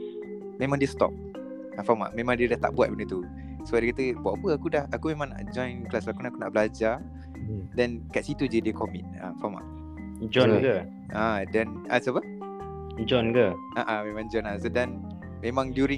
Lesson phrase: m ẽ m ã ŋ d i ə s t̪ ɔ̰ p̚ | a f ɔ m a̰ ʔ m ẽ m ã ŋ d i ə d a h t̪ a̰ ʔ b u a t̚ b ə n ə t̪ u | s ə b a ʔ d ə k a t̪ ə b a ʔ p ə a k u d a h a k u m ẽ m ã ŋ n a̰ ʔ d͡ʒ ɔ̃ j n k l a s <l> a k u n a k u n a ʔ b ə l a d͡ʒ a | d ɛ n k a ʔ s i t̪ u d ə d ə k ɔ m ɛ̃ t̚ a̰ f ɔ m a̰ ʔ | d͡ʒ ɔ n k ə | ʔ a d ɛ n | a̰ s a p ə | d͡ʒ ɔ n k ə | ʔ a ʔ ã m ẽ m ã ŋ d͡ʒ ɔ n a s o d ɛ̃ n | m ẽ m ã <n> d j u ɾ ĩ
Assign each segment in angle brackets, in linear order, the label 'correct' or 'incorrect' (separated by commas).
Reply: correct, incorrect